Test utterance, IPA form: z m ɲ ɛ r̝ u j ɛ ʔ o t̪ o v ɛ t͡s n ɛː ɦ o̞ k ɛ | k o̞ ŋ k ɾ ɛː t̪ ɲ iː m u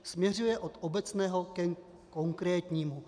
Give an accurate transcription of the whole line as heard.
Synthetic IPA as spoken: s m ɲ ɛ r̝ u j ɛ ʔ o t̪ o b ɛ t͡s n ɛː ɦ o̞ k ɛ | k o̞ ŋ k ɾ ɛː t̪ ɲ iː m u

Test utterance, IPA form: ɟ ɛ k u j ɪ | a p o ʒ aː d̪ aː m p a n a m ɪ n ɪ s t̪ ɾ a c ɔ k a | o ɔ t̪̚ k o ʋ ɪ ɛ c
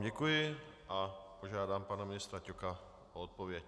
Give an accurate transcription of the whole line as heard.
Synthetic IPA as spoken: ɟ ɛ k u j ɪ | a p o ʒ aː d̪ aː m p a n a m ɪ n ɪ s t̪ ɾ a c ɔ k a | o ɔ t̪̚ p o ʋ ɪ ɛ c

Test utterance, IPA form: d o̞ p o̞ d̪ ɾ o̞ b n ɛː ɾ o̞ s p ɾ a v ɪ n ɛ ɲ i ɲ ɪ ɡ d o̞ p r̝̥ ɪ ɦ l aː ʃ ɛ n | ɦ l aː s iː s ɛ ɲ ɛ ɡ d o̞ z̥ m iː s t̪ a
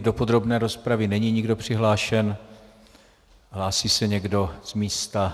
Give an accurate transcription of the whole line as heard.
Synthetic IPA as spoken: d o̞ p o̞ d̪ ɾ o̞ b n ɛː ɾ o̞ s p ɾ a v ɪ n ɛ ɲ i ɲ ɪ ɡ d o̞ p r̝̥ ɪ ɦ l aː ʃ ɛ n | ɦ l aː s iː s ɛ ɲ ɛ ɡ d o̞ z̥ m iː s t̪ a

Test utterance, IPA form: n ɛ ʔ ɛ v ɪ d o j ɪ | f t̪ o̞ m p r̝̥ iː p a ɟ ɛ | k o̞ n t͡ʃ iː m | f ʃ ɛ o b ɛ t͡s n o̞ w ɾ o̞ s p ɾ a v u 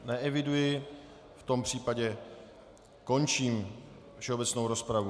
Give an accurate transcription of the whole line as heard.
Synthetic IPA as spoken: n ɛ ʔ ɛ v ɪ d u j ɪ | f t̪ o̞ m p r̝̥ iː p a ɟ ɛ | k o̞ n t͡ʃ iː m | f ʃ ɛ o b ɛ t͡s n o̞ w ɾ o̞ s p ɾ a v u

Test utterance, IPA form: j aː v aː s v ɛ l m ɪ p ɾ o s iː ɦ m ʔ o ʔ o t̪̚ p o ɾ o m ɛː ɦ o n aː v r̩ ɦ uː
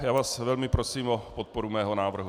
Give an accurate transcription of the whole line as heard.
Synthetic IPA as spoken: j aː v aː s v ɛ l m ɪ p ɾ o s iː m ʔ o p o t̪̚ p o ɾ u m ɛː ɦ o n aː v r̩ ɦ u

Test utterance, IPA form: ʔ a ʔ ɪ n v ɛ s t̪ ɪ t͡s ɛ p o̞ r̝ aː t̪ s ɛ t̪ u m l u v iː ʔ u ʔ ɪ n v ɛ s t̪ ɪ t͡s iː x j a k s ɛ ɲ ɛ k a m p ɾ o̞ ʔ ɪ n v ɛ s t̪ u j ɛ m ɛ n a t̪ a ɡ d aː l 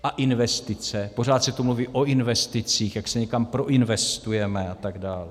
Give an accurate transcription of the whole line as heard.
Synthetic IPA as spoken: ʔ a ʔ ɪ n v ɛ s t̪ ɪ t͡s ɛ p o̞ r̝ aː t̪ s ɛ t̪ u m l u v iː ʔ o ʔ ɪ n v ɛ s t̪ ɪ t͡s iː x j a k s ɛ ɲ ɛ k a m p ɾ o̞ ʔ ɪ n v ɛ s t̪ u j ɛ m ɛ a t̪ a ɡ d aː l

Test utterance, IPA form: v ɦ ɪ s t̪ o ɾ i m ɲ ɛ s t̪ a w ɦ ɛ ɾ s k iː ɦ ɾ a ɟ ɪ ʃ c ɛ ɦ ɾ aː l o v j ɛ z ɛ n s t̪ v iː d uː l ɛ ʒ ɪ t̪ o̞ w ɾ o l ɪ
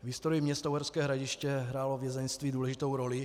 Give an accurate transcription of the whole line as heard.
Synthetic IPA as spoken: v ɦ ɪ s t̪ o ɾ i m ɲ ɛ s t̪ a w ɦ ɛ ɾ s k ɛː ɦ ɾ a ɟ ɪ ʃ c ɛ ɦ ɾ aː l o v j ɛ z ɛ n s t̪ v iː d uː l ɛ ʒ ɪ t̪ o̞ w ɾ o l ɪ

